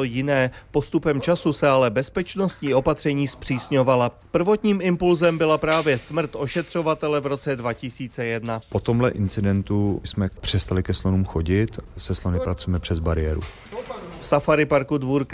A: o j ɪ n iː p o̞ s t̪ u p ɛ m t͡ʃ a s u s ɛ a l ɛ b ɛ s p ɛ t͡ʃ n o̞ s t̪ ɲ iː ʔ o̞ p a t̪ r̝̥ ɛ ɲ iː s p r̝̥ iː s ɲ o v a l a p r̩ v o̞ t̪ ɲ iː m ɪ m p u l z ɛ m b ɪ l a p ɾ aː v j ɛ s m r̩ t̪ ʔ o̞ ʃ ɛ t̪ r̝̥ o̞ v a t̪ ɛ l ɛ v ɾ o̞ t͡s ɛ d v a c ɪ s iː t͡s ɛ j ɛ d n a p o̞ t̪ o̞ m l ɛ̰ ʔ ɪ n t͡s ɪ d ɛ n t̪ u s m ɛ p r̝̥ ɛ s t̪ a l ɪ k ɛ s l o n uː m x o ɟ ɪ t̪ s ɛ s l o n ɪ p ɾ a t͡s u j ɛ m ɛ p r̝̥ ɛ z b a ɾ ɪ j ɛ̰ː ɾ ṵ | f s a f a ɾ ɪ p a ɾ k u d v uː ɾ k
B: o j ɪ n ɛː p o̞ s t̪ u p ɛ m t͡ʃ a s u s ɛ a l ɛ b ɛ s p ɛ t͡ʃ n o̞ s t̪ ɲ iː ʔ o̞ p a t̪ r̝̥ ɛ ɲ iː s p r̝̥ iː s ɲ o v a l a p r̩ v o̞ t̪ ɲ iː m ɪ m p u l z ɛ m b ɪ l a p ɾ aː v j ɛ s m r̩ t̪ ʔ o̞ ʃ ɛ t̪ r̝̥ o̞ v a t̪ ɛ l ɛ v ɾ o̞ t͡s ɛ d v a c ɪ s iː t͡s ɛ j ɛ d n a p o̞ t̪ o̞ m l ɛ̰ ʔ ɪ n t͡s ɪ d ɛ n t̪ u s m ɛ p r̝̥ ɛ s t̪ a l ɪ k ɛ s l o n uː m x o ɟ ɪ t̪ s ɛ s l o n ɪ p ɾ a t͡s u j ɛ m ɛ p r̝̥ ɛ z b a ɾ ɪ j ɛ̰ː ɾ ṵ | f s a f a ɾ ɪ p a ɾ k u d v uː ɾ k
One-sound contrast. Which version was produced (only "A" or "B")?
B